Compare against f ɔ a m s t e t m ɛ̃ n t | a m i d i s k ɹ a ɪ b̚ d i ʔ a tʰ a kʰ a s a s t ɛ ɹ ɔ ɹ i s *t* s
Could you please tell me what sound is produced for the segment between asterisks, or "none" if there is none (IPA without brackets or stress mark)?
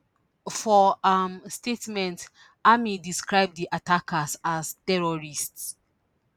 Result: t